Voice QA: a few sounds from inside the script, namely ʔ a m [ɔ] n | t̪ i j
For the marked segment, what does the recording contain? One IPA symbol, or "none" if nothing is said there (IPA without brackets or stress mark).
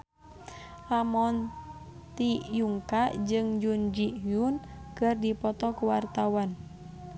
ɔ